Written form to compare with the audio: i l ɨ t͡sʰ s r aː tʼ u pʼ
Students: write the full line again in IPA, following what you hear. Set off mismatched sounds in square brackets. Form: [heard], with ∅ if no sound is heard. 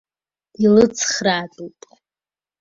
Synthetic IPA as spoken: i l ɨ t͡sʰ [χ] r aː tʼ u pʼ